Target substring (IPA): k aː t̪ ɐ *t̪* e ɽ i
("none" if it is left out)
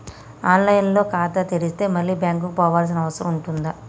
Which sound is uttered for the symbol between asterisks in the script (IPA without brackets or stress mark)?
t̪